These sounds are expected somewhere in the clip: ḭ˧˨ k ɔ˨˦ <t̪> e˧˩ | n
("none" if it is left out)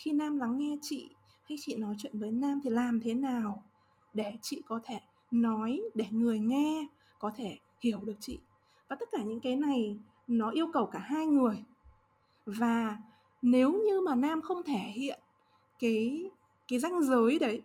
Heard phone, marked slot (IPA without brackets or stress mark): t̪ʰ